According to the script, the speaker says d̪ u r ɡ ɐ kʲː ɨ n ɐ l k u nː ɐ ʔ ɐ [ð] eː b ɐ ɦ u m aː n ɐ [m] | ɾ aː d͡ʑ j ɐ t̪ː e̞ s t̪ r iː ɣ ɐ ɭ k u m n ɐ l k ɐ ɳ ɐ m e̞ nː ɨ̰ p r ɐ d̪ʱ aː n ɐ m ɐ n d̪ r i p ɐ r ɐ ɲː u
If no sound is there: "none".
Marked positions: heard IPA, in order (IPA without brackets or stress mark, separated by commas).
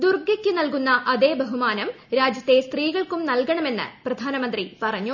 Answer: ð, m